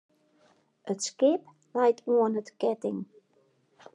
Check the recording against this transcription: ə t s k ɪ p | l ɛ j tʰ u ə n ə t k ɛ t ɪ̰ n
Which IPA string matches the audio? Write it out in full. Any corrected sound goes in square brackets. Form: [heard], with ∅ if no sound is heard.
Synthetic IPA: ə t s k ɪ p | l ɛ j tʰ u ə n ə t k ɛ t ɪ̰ [ŋ]